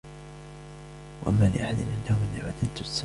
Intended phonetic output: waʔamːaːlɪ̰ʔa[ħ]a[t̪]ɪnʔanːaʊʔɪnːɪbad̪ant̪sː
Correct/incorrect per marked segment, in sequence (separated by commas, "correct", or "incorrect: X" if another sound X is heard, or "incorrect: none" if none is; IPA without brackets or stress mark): correct, incorrect: d̪